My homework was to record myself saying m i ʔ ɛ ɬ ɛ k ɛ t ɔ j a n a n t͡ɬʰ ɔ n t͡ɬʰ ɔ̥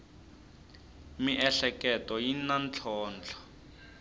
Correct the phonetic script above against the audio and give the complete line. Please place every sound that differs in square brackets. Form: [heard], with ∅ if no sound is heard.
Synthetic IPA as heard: m i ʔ ɛ ɬ ɛ k ɛ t ɔ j [i] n a n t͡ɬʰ [ɔː] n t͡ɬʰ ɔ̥